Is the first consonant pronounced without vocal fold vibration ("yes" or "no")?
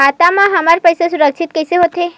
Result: yes